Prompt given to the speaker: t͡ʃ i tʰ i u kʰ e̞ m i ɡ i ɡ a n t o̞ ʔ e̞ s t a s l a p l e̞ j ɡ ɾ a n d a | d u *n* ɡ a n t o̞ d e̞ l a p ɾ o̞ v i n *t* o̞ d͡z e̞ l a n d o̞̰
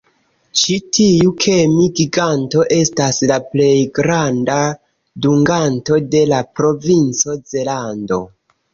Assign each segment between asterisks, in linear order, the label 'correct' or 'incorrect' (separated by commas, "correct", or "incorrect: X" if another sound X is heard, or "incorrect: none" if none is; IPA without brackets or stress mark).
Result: incorrect: ŋ, incorrect: t͡s